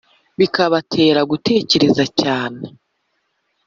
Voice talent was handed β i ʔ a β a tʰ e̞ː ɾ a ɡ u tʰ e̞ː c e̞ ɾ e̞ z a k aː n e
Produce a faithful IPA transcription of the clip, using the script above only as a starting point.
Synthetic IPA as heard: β i k a β a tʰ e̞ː ɾ a ɡ u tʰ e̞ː c e̞ ɾ e̞ z a c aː n e